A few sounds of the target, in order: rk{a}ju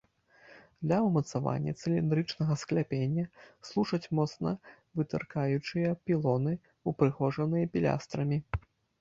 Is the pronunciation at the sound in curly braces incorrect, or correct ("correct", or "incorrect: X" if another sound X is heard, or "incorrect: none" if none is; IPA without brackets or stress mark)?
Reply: correct